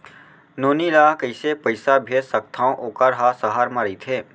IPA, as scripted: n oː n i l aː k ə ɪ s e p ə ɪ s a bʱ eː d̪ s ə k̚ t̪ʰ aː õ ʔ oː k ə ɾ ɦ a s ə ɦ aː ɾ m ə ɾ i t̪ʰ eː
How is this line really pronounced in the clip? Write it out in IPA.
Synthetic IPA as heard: n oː n i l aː k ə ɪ s e p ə ɪ s a bʱ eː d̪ s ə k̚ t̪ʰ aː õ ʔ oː k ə ɾ ɦ a s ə ɦ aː ɾ m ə ɾ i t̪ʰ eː